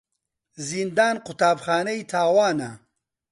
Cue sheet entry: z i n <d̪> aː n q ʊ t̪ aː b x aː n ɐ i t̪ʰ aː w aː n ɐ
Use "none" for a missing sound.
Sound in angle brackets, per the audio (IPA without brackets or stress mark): d̪